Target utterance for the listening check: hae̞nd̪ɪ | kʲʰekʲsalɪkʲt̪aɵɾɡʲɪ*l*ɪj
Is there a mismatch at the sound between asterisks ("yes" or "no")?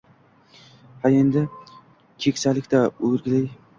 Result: no